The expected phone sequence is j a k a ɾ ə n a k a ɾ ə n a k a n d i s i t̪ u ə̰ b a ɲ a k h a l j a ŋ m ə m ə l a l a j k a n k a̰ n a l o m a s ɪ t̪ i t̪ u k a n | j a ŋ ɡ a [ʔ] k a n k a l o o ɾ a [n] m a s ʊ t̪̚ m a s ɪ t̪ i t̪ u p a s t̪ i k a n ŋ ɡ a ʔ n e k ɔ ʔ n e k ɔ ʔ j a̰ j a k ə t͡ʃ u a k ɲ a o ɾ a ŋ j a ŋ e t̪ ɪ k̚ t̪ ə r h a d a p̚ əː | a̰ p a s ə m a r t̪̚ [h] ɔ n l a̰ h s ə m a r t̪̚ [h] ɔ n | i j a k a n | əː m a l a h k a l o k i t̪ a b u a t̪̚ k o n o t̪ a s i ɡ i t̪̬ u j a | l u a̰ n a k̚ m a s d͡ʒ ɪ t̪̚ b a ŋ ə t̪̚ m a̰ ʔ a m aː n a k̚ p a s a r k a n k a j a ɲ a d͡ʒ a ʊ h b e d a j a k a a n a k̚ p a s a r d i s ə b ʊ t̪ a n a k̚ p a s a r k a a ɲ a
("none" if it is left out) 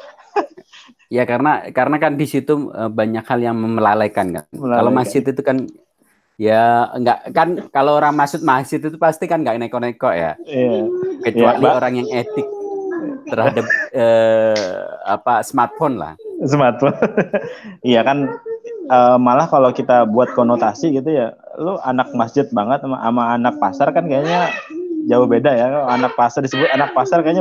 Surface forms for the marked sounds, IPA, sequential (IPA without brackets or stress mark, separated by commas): ʔ, ŋ, f, f